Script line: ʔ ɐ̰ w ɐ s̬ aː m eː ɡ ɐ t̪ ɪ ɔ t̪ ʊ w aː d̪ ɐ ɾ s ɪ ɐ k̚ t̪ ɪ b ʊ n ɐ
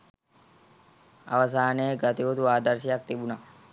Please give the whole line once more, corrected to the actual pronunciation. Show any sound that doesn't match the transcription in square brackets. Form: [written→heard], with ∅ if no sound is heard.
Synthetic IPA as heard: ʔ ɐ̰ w ɐ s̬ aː [m→n] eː ɡ ɐ t̪ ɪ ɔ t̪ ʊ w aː d̪ ɐ ɾ s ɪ ɐ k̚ t̪ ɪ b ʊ n ɐ